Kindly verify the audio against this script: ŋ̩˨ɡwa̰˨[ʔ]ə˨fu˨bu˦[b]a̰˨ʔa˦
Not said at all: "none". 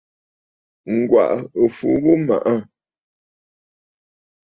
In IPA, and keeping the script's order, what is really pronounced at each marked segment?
ʔ, m

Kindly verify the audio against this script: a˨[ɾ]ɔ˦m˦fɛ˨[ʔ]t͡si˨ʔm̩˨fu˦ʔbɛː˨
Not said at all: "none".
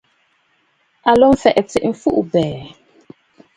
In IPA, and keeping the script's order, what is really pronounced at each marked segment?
l, ʔ

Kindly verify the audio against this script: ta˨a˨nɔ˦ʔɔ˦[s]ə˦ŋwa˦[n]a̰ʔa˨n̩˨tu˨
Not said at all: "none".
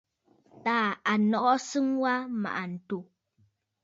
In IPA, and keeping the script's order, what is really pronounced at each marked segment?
s, m

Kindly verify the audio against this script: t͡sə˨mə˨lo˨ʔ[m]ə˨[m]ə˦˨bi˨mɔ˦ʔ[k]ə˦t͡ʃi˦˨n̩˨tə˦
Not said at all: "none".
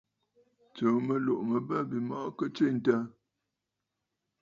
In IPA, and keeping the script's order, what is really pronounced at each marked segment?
m, b, k

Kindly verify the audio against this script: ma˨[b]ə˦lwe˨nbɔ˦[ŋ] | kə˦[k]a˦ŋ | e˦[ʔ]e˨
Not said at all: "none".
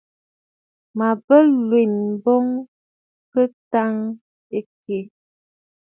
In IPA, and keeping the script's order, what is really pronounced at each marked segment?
b, ŋ, t, k

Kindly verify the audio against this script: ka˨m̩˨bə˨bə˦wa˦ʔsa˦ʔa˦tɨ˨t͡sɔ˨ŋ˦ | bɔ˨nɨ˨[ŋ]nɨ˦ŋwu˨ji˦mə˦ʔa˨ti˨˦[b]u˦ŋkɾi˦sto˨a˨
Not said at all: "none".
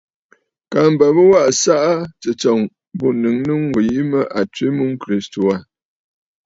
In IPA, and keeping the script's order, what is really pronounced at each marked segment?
ŋ, m

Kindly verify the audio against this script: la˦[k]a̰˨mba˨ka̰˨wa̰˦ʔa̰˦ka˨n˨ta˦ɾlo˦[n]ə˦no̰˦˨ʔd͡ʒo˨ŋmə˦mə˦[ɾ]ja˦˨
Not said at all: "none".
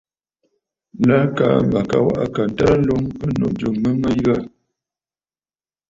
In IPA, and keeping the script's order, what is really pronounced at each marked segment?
k, ŋ, none

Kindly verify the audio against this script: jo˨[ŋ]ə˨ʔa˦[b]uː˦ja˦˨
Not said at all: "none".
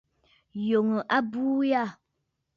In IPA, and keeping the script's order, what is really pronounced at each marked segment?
ŋ, b

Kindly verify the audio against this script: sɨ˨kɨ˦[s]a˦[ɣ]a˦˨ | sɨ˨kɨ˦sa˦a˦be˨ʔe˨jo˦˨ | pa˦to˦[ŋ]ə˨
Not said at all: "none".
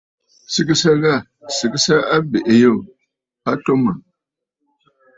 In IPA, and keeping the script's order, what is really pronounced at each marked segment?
s, ɣ, m

